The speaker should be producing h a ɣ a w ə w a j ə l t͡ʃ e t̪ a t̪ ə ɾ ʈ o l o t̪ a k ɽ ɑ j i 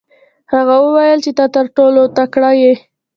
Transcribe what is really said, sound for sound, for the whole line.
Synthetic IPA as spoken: h a ɣ a w ə w a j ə l t͡ʃ e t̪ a t̪ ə ɾ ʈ o l o t̪ a k ɽ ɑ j e